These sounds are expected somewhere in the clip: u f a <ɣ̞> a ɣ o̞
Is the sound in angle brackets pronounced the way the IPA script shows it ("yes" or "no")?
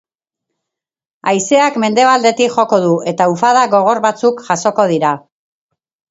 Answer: no